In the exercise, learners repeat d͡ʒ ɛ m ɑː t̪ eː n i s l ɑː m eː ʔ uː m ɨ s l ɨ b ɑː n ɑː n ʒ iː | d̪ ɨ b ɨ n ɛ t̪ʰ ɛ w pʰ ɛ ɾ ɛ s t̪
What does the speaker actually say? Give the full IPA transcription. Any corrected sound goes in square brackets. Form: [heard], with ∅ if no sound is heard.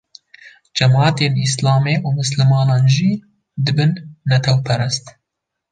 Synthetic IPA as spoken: d͡ʒ ɛ m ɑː t̪ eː n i s l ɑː m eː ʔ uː m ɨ s l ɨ [m] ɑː n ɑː n ʒ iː | d̪ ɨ b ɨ [nː] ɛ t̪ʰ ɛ w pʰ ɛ ɾ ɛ s t̪